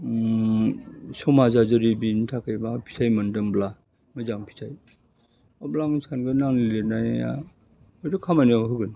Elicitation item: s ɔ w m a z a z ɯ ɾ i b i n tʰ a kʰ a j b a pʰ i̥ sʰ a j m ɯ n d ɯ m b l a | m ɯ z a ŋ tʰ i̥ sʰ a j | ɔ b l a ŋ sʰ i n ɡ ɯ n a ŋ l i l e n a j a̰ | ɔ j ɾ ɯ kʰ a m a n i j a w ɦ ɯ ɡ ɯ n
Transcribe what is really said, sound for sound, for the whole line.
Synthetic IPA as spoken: s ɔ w m a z a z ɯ ɾ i b i n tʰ a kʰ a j b a pʰ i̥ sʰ a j m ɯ n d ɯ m b l a | m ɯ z a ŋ pʰ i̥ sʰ a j | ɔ b l a ŋ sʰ a n ɡ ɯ n a ŋ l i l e n a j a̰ | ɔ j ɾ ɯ kʰ a m a n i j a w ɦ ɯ ɡ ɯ n